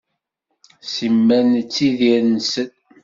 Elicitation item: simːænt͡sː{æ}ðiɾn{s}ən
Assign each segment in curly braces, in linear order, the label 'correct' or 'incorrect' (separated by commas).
incorrect, correct